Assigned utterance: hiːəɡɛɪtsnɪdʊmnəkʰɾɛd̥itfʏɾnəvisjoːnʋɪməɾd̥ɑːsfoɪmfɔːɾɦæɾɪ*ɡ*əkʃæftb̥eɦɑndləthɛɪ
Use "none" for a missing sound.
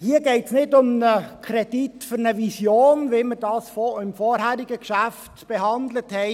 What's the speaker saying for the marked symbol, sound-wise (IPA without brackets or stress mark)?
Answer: ɡ